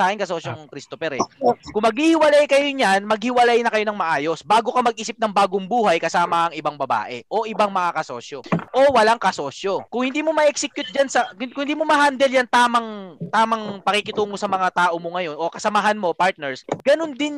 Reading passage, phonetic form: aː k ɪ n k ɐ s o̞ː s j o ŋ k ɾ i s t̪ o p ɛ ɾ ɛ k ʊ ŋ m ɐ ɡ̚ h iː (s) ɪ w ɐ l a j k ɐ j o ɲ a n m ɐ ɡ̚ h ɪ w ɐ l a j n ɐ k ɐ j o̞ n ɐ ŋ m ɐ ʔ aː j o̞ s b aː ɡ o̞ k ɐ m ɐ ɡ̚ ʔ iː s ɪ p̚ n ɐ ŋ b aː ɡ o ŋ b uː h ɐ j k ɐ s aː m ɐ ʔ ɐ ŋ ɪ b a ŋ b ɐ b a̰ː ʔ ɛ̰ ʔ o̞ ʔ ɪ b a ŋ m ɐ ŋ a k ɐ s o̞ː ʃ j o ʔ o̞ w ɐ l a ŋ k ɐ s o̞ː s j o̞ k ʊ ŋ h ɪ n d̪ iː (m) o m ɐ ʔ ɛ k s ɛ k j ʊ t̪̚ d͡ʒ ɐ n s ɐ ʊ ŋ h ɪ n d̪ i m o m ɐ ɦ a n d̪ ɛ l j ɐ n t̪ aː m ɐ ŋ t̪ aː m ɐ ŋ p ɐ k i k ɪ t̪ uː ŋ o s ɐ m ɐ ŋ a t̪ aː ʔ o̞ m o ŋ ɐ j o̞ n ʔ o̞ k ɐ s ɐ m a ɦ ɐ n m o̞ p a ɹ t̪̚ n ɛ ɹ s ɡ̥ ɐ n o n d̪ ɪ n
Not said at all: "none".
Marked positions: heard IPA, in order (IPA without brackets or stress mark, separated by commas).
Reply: h, m